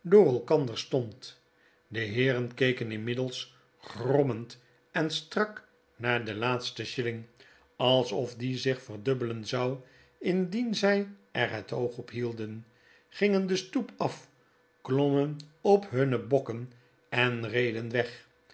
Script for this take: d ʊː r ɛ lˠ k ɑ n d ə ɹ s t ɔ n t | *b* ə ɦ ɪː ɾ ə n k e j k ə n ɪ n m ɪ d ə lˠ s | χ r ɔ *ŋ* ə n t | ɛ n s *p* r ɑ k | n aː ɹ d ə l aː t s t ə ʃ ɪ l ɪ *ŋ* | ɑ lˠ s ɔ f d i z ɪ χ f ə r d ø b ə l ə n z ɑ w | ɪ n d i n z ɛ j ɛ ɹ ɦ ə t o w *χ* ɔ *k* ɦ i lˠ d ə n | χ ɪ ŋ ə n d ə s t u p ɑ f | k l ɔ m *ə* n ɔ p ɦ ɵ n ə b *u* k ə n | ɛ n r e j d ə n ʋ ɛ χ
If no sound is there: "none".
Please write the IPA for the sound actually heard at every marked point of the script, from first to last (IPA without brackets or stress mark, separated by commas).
d, m, t, ŋ, χ, p, ə, ɔ